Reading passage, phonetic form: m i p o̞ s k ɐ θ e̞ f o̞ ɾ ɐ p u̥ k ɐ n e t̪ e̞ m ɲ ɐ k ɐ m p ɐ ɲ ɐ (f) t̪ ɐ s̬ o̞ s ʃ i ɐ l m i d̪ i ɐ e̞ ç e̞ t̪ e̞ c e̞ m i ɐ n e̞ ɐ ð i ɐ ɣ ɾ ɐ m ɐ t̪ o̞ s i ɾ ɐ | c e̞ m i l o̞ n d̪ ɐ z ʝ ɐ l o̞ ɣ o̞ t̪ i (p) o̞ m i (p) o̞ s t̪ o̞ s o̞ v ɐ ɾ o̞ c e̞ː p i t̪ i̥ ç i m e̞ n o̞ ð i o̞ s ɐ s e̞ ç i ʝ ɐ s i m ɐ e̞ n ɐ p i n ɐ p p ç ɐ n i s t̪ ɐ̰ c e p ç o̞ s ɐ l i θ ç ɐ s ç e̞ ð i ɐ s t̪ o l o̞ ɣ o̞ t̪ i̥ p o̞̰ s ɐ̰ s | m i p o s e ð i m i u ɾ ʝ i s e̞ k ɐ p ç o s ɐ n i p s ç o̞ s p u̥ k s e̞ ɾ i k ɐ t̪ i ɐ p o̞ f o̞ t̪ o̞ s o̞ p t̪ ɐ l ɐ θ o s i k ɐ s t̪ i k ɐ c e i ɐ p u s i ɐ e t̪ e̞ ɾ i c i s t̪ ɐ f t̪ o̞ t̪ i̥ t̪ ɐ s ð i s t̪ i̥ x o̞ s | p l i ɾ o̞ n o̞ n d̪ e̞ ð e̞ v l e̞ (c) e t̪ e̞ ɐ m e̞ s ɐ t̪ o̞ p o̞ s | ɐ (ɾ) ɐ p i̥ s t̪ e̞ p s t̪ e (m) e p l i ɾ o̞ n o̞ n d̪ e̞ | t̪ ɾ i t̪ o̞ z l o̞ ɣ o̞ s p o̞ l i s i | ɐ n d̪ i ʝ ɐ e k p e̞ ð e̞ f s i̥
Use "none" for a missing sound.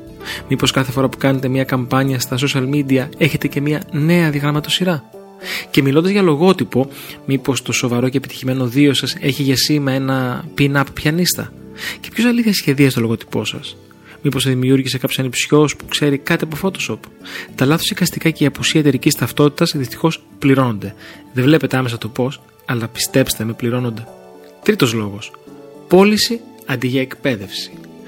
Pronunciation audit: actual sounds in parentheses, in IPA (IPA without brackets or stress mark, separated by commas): s, p, p, p, l, m